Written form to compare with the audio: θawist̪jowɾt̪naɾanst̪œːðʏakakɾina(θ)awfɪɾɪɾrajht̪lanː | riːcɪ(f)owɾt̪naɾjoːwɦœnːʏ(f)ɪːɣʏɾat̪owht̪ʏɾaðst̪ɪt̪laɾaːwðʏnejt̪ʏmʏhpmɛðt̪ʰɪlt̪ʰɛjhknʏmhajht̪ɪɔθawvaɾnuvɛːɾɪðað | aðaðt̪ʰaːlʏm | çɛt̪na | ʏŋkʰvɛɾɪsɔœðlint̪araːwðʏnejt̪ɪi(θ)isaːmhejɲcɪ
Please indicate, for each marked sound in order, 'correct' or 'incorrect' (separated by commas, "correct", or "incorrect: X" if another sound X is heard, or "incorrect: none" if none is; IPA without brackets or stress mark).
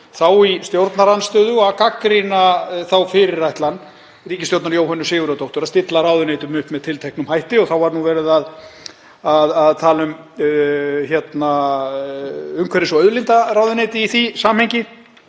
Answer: correct, incorrect: s, incorrect: s, correct